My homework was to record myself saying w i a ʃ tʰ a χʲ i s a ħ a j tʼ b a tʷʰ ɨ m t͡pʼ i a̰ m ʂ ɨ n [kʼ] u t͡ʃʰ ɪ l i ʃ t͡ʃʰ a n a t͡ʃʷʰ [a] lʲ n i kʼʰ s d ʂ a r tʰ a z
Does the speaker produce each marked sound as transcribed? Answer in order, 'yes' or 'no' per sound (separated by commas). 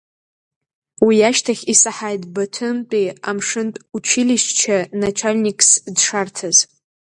no, yes